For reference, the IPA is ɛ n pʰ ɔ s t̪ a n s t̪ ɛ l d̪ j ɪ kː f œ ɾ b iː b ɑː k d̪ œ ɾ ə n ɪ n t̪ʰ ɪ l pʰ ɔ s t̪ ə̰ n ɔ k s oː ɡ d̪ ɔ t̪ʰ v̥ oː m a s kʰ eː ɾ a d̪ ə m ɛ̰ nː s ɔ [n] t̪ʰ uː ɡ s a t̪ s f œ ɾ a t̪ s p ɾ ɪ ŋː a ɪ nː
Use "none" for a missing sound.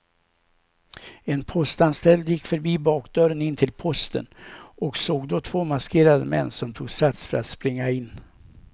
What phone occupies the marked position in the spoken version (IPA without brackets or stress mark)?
m